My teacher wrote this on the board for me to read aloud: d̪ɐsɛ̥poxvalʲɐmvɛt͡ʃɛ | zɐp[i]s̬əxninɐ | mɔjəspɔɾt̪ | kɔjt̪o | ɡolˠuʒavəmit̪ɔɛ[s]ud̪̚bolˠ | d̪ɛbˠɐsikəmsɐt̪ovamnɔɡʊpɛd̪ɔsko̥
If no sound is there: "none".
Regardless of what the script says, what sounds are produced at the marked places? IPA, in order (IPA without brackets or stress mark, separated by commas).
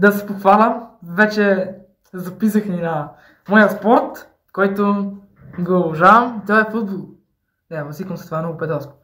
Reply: i, f